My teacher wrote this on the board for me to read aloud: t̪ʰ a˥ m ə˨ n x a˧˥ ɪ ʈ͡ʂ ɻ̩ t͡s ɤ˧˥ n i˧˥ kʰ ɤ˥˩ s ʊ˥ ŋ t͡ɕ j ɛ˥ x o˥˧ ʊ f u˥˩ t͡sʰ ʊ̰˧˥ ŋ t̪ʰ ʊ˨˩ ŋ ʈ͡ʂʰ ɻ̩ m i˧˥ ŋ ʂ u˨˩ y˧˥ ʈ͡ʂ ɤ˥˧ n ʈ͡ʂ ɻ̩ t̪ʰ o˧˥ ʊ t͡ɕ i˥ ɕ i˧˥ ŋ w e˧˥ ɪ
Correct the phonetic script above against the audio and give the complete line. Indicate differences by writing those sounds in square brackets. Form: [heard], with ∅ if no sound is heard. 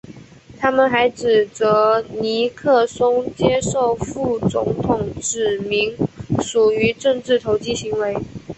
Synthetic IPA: t̪ʰ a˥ m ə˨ n x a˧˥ ɪ ʈ͡ʂ ɻ̩ t͡s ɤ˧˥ n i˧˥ kʰ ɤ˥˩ s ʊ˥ ŋ t͡ɕ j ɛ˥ [ʂ] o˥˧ ʊ f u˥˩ [t͡s] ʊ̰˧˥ ŋ t̪ʰ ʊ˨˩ ŋ [ʈ͡ʂ] ɻ̩ m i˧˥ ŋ ʂ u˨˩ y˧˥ ʈ͡ʂ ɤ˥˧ [ŋ] ʈ͡ʂ ɻ̩ t̪ʰ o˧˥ ʊ t͡ɕ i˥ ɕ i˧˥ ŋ w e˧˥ ɪ